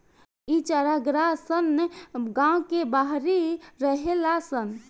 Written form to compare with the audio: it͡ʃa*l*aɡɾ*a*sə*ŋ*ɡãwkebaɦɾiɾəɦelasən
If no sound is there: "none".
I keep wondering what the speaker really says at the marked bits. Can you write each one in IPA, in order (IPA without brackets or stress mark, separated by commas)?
ɾ, a, n